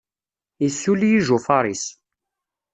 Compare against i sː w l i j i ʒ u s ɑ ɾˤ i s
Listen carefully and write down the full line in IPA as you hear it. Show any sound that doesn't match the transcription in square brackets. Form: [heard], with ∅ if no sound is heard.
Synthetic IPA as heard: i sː [u] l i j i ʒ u [f] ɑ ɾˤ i s